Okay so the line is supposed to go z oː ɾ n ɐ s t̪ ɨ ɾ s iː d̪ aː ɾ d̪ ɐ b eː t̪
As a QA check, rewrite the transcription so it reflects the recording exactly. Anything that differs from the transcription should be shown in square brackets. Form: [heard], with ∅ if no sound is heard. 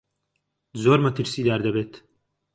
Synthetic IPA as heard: z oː ɾ [m] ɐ [∅] t̪ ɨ ɾ s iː d̪ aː ɾ d̪ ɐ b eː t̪